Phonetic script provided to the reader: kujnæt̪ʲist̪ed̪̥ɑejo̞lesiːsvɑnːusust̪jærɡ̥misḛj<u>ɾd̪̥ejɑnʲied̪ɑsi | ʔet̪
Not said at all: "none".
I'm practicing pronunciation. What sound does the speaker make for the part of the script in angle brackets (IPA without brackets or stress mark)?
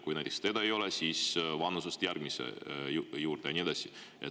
uː